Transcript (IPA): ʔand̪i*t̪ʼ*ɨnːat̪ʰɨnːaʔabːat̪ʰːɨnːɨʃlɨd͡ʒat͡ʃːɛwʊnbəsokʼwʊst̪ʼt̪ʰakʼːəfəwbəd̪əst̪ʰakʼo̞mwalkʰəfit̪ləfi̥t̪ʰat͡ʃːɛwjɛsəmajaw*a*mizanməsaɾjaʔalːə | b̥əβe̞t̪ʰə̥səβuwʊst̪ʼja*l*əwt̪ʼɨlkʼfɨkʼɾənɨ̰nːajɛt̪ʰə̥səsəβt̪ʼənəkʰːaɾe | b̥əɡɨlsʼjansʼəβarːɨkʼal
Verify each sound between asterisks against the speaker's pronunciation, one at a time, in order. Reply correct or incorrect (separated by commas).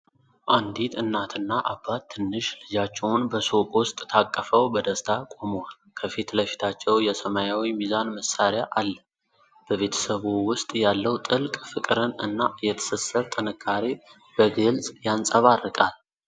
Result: incorrect, incorrect, incorrect